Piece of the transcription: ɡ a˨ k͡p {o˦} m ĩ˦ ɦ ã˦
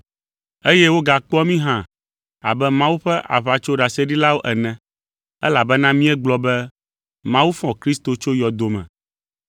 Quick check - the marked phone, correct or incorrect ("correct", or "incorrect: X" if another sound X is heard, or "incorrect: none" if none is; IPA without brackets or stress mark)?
incorrect: ɔ˦